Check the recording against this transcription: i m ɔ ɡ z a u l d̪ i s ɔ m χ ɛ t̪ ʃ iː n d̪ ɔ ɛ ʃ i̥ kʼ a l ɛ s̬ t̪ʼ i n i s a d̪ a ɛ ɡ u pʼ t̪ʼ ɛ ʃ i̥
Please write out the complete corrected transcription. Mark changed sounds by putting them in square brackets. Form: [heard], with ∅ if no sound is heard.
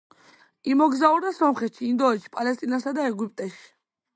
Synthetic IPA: i m ɔ ɡ z a u [ɾ] d̪ [a] s ɔ m χ ɛ t̪ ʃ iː n d̪ ɔ ɛ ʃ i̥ [pʼ] a l ɛ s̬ t̪ʼ i n [a] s a d̪ a ɛ ɡ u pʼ t̪ʼ ɛ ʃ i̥